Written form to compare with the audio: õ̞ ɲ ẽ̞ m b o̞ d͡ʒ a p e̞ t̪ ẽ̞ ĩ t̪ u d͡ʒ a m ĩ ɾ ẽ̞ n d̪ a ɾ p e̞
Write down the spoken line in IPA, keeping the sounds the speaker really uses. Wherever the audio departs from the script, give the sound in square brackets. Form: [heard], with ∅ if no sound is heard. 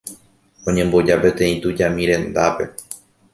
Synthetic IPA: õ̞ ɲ ẽ̞ m b o̞ d͡ʒ a p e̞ t̪ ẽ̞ ĩ t̪ u d͡ʒ a m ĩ ɾ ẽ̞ n d̪ a [∅] p e̞